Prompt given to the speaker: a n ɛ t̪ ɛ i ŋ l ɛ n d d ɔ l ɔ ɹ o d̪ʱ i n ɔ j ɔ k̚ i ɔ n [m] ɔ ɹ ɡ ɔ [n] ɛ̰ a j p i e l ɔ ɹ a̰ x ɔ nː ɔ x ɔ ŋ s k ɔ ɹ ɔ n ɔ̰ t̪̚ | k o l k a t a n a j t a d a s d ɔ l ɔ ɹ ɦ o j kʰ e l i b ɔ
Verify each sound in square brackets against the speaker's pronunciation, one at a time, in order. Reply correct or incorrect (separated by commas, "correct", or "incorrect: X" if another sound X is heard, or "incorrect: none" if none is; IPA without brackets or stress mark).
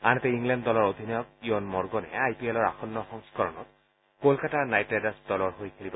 correct, correct